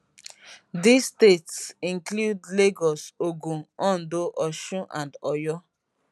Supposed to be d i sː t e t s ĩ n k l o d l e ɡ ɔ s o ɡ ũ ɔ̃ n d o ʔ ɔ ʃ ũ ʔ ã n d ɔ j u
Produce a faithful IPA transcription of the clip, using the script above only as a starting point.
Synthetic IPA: d i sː t e t s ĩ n k l u d l e ɡ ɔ s o ɡ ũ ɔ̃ n d o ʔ ɔ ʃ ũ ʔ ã n d ɔ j ɔ